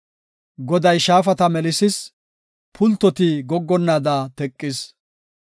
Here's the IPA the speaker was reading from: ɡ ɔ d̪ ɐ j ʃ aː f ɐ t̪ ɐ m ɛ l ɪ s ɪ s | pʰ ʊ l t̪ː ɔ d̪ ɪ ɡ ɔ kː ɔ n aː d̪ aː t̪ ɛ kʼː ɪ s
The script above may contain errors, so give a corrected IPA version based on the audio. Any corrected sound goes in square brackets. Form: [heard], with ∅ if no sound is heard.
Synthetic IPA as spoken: ɡ ɔ d̪ ɐ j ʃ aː f ɐ t̪ ɐ m ɛ l ɪ s ɪ s | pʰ ʊ l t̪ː ɔ [t̪] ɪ ɡ ɔ [ɡː] ɔ [nː] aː d̪ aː t̪ ɛ kʼː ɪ s